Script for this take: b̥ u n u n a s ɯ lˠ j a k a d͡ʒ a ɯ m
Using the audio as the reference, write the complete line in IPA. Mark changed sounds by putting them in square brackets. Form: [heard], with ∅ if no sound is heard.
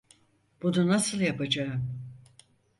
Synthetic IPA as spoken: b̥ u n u n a s ɯ lˠ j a [p] a d͡ʒ a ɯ m